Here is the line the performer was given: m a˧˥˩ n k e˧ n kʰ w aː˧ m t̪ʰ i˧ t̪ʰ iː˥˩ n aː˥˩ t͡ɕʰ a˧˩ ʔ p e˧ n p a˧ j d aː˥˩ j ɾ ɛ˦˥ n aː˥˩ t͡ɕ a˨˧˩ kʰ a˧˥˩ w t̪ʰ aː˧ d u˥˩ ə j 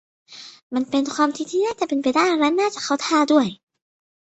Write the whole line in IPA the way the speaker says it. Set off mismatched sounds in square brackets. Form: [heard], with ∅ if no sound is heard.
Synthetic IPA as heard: m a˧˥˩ n [p] e˧ n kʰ w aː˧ m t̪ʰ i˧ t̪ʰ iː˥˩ n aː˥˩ [t͡ɕ] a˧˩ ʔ p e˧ n p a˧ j d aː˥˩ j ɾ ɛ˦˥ n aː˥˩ t͡ɕ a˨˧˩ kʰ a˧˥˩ w t̪ʰ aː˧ d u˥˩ ə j